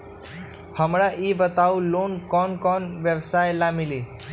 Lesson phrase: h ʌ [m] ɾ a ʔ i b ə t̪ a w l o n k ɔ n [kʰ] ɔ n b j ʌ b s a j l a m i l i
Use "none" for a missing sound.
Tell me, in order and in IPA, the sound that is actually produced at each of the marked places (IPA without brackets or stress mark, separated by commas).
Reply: m, k